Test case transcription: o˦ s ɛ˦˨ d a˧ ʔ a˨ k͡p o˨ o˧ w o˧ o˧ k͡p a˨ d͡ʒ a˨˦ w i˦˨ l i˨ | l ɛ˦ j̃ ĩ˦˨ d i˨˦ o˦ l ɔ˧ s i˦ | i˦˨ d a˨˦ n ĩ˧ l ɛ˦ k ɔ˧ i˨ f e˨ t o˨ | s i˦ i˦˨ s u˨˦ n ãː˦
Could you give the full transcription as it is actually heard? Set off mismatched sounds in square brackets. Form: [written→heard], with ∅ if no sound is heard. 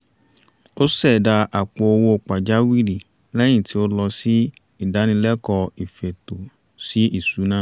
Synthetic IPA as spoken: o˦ s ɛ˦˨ d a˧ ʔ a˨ k͡p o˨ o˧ w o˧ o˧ k͡p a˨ d͡ʒ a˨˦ w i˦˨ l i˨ | l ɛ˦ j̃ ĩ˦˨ [d→t] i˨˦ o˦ l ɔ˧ s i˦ | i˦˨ d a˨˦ n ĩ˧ l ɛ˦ k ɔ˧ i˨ f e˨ t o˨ | s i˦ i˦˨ s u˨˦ n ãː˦